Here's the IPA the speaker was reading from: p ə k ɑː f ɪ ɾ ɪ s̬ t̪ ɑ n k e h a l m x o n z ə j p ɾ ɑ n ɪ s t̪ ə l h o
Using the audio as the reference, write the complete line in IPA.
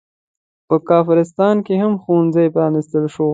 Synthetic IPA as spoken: p ə k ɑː f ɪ ɾ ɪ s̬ t̪ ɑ n k e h a m x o n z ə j p ɾ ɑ n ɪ s t̪ ə l ʃ o